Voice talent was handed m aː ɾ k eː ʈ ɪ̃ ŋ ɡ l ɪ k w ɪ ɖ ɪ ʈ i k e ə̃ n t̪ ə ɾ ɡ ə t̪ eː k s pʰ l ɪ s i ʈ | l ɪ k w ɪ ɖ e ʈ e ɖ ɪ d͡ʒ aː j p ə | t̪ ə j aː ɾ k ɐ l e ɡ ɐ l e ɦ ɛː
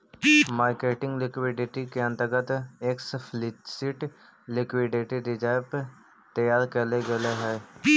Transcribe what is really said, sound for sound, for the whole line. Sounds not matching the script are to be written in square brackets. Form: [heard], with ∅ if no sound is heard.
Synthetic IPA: m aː ɾ k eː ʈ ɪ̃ ŋ ɡ l ɪ k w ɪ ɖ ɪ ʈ i k e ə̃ n t̪ ə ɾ ɡ ə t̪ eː k s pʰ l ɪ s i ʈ | l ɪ k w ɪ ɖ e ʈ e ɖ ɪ d͡ʒ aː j p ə | t̪ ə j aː ɾ k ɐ l e ɡ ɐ l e ɦ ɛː

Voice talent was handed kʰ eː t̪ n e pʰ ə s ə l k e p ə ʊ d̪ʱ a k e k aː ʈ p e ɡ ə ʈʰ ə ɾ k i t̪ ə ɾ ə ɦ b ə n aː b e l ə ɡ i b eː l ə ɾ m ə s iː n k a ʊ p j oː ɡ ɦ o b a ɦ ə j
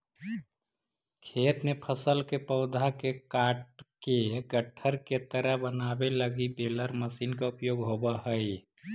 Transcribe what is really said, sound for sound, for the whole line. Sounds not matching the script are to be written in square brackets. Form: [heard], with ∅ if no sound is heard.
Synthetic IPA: kʰ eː t̪ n e pʰ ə s ə l k e p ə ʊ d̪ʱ a k e k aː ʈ [k] e ɡ ə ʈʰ ə ɾ k [e] t̪ ə ɾ ə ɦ b ə n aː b e l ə ɡ i b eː l ə ɾ m ə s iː n k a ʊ p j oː ɡ ɦ o b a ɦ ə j

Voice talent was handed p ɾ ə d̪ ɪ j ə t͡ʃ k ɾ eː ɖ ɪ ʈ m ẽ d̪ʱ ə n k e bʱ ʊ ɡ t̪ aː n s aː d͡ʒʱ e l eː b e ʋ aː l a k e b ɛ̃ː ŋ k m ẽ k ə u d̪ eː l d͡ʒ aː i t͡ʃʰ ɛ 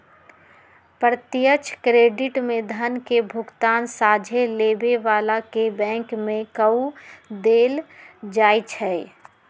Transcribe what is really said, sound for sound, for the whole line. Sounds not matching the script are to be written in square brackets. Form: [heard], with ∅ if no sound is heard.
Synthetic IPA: p ɾ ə [t̪] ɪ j ə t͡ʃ k ɾ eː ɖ ɪ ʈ m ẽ d̪ʱ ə n k e bʱ ʊ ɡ t̪ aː n s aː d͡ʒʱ e l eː b e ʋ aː l a k e b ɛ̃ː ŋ k m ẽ k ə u d̪ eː l d͡ʒ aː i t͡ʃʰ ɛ

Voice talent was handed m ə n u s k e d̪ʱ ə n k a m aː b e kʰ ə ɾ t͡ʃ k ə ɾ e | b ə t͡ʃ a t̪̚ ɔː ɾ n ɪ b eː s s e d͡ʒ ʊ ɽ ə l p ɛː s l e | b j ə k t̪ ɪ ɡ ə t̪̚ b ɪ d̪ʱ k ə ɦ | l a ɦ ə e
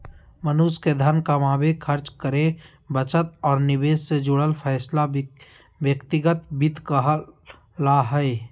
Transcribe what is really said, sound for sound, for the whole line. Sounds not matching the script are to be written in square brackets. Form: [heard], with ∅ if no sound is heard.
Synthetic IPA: m ə n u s k e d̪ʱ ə n k a m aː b e kʰ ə ɾ t͡ʃ k ə ɾ e | b ə t͡ʃ [ə] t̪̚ ɔː ɾ n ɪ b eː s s e d͡ʒ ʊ ɽ ə l [pʰ] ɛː s l [a] | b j ə k t̪ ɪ ɡ ə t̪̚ b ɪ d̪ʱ k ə ɦ | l a ɦ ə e

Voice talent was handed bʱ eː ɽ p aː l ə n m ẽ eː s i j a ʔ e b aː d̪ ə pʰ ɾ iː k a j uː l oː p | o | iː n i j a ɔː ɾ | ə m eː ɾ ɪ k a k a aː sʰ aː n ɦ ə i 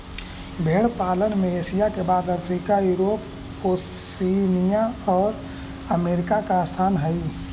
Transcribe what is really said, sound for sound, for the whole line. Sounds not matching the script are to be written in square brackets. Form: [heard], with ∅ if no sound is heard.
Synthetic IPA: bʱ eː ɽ p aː l ə n m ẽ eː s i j a [k] e b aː d̪ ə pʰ ɾ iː k a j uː [ɾ] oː p | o | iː n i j a ɔː ɾ | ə m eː ɾ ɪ k a k a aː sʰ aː n ɦ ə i

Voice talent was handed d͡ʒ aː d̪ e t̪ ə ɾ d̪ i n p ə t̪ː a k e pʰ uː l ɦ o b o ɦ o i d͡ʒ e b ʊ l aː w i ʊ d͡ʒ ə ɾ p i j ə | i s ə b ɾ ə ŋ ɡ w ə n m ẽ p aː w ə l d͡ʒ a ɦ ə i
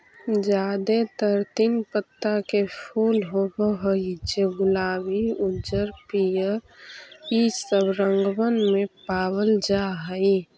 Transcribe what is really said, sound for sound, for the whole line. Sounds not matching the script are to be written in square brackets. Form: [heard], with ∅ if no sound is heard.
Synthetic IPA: d͡ʒ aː d̪ e t̪ ə ɾ [t̪] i n p ə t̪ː a k e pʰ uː l ɦ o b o ɦ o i d͡ʒ e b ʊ l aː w i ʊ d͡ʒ ə ɾ p i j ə | i s ə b ɾ ə ŋ ɡ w ə n m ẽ p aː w ə l d͡ʒ a ɦ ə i

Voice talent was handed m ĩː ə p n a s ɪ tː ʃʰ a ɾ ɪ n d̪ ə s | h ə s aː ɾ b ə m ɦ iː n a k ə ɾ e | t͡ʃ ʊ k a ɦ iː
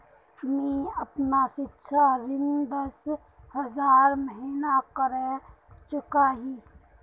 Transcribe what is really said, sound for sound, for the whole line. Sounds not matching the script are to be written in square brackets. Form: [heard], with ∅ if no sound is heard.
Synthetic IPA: m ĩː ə p n a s ɪ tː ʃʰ a ɾ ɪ n d̪ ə s | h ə [z] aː ɾ [m] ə [∅] ɦ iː n a k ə ɾ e | t͡ʃ ʊ k a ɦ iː

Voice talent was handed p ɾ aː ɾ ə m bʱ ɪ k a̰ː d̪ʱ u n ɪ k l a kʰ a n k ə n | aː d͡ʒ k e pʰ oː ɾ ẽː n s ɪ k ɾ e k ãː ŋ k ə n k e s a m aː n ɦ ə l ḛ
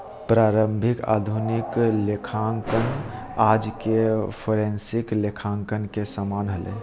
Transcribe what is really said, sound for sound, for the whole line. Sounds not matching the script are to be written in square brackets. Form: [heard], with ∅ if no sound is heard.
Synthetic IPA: p ɾ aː ɾ ə m bʱ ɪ k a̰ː d̪ʱ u n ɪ k l [e] kʰ a [ŋ] k ə n | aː d͡ʒ k e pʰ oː ɾ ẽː n s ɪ k [l] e [kʰ] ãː ŋ k ə n k e s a m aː n ɦ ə l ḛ

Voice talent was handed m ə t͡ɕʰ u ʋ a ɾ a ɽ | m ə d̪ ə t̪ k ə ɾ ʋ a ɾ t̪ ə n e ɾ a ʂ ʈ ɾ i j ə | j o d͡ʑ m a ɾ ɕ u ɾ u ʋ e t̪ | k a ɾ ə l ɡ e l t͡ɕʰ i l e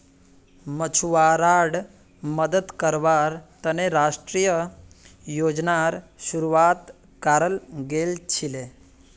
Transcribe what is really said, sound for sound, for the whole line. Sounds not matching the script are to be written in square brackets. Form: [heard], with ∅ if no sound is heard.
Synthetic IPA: m ə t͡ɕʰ u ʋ a ɾ a ɽ | m ə d̪ ə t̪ k ə ɾ ʋ a ɾ t̪ ə n e ɾ a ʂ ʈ ɾ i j ə | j o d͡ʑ [n] a ɾ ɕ u ɾ u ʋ [a] t̪ | k a ɾ ə l ɡ e l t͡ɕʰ i l e

